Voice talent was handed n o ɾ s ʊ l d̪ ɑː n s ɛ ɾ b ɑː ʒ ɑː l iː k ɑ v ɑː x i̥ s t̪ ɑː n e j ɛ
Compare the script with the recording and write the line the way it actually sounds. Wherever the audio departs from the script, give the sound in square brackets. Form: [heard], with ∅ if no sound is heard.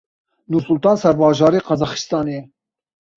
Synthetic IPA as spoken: n [u] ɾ s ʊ l [t̪] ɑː n s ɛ ɾ b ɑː ʒ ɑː [ɾ] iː [q] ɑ [z] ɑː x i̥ s t̪ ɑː n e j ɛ